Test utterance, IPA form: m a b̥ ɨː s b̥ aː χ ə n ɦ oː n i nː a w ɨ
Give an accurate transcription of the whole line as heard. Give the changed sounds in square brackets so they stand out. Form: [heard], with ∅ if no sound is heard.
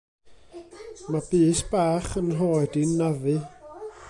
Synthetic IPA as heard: m a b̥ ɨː s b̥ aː χ ə n ɦ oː [d] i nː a [v] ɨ